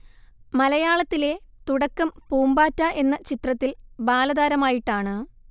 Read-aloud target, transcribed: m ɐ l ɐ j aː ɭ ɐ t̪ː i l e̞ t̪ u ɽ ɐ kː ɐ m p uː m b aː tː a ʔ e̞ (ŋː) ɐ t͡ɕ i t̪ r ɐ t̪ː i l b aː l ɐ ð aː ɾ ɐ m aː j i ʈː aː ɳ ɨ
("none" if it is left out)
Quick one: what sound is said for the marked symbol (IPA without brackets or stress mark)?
nː